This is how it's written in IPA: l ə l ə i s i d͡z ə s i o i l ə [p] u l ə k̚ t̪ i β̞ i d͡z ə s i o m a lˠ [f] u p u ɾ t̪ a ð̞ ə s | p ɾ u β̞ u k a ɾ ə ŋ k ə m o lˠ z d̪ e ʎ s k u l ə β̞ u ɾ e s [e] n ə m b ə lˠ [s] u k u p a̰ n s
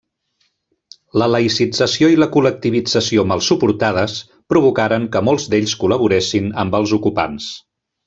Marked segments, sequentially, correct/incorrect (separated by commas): incorrect, incorrect, incorrect, incorrect